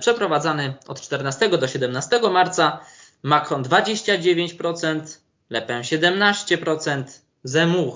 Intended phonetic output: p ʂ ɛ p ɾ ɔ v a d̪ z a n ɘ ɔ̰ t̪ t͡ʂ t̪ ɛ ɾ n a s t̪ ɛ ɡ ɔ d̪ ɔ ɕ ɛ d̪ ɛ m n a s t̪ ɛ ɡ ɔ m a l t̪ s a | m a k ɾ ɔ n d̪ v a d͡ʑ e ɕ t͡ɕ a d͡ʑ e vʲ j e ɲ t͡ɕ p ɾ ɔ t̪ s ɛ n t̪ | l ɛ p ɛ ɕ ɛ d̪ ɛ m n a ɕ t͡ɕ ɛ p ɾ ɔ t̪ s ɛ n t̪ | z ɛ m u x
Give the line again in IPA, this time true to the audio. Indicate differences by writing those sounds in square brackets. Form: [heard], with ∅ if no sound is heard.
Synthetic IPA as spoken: p ʂ ɛ p ɾ ɔ v a d̪ z a n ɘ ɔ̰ t̪ t͡ʂ t̪ ɛ ɾ n a s t̪ ɛ ɡ ɔ d̪ ɔ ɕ ɛ d̪ ɛ m n a s t̪ ɛ ɡ ɔ m a [ɾ] t̪ s a | m a k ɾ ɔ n d̪ v a d͡ʑ e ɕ t͡ɕ a d͡ʑ e vʲ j e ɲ t͡ɕ p ɾ ɔ t̪ s ɛ n t̪ | l ɛ p ɛ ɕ ɛ d̪ ɛ m n a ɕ t͡ɕ ɛ p ɾ ɔ t̪ s ɛ n t̪ | z ɛ m u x